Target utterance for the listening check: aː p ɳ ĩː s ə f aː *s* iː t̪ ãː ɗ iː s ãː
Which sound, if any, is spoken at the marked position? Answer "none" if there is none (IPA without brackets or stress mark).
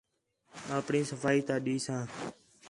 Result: none